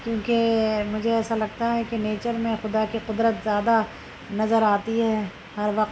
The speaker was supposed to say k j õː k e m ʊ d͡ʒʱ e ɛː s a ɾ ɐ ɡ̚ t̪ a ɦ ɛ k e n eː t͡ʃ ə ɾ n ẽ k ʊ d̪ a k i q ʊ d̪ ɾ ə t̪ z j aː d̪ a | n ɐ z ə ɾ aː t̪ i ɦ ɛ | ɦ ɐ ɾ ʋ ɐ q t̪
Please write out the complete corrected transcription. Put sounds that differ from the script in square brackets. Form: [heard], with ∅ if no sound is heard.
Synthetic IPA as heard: k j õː k e m ʊ d͡ʒʱ e ɛː s a [l] ɐ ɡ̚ t̪ a ɦ ɛ k e n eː t͡ʃ ə ɾ [m] ẽ [x] ʊ d̪ a k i q ʊ d̪ ɾ ə t̪ z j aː d̪ a | n ɐ z ə ɾ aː t̪ i ɦ ɛ | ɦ ɐ ɾ ʋ ɐ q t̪